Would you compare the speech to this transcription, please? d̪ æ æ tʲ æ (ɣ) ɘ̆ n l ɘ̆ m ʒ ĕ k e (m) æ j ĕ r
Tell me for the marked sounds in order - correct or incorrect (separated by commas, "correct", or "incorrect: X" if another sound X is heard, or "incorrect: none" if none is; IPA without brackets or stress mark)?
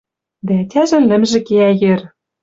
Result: incorrect: ʒ, incorrect: none